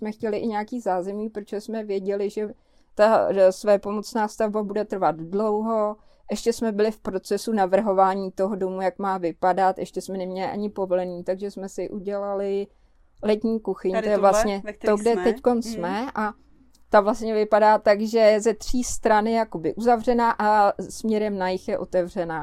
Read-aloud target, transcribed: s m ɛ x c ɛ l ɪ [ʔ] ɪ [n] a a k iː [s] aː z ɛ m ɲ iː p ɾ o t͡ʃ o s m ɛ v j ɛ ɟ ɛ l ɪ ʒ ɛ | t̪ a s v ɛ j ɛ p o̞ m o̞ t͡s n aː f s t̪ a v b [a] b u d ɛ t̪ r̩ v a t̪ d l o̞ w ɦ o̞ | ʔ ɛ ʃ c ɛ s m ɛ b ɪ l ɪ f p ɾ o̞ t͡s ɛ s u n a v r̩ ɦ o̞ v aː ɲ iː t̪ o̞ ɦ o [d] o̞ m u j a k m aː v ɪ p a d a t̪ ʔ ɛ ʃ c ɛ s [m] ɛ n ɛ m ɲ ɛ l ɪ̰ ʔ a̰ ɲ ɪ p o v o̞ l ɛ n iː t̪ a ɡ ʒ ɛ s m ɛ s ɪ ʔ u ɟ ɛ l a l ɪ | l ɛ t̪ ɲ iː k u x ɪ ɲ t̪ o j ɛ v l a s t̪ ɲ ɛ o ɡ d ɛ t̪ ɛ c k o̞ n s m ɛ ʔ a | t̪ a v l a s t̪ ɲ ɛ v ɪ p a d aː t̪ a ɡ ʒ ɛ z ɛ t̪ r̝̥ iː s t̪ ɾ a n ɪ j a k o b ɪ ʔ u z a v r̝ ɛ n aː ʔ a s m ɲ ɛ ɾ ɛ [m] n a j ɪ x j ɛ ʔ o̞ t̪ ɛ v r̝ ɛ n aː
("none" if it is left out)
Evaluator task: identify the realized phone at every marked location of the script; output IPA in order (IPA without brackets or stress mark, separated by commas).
ʔ, ɲ, z, a, d, m, m